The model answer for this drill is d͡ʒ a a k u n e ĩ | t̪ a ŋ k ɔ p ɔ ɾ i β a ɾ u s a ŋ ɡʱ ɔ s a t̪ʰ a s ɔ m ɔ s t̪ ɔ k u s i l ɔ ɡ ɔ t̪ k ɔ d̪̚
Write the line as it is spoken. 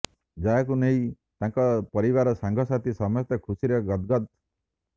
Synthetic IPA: d͡ʒ a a k u n e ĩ | t̪ a ŋ k ɔ p ɔ ɾ i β a ɾ ɔ s a ŋ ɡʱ ɔ s a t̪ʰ i s ɔ m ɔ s t̪ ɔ kʰ u s i ɾ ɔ ɡ ɔ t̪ ɡ ɔ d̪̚